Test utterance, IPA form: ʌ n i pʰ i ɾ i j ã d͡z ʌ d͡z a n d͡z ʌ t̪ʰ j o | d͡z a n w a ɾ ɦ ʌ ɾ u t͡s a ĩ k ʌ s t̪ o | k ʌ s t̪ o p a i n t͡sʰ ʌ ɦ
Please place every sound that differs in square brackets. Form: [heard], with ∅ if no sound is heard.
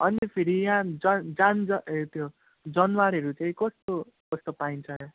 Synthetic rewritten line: ʌ n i pʰ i ɾ i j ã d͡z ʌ d͡z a n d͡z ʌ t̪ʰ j o | d͡z [ʌ] n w a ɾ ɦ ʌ ɾ u t͡s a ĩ k ʌ s t̪ o | k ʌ s t̪ o p a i n t͡sʰ ʌ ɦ